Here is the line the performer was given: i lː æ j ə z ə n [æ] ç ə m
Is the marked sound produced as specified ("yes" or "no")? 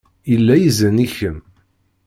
no